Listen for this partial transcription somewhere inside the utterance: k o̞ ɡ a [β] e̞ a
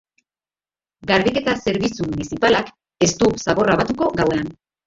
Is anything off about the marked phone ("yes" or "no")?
yes